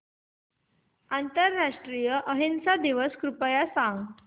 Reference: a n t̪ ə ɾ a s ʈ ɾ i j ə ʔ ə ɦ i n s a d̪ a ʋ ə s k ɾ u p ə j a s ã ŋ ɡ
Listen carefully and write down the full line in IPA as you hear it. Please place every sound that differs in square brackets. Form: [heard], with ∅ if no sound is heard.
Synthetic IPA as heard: a n t̪ ə [ɾː] a [ʂ] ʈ ɾ i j ə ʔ ə ɦ i n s a d̪ [i] ʋ ə s k ɾ u p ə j a s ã ŋ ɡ